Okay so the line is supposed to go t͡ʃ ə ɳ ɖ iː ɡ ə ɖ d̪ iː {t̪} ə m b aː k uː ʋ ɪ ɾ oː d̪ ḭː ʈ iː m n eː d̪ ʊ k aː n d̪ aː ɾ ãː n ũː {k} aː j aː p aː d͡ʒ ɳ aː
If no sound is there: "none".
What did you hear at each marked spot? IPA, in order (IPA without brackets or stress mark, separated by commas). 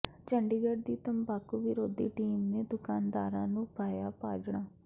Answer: t̪, p